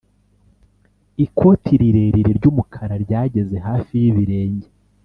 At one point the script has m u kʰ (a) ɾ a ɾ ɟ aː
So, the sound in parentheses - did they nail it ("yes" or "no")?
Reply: yes